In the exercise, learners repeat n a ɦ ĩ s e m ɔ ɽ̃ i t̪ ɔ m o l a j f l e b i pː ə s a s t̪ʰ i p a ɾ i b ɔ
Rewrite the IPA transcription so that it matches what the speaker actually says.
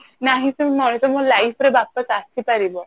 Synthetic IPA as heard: n a ɦ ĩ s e m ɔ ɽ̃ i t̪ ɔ m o l a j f ɾ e b a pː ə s a s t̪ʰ i p a ɾ i b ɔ